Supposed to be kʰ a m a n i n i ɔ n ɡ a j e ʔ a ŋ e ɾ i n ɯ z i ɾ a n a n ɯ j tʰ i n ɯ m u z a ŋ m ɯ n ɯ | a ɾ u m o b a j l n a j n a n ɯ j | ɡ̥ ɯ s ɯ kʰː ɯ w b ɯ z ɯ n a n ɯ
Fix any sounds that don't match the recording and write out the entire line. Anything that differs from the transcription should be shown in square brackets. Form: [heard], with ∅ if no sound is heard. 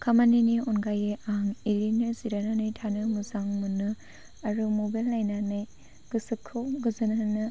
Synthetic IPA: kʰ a m a n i n i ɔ n ɡ a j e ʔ a ŋ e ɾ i n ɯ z i ɾ a n a n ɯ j tʰ [a] n ɯ m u z a ŋ m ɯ n ɯ | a ɾ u m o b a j l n a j n a n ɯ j | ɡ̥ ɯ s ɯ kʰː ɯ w [ɡ] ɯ z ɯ n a n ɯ